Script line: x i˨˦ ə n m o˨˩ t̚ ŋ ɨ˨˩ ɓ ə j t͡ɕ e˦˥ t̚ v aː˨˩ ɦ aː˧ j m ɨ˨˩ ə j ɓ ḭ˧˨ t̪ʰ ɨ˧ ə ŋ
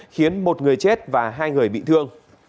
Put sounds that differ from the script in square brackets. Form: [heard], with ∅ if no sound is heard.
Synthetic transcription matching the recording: x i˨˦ ə n m o˨˩ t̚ ŋ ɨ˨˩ [∅] ə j t͡ɕ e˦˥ t̚ v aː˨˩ ɦ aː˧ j [ŋ] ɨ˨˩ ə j ɓ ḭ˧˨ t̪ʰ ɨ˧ ə ŋ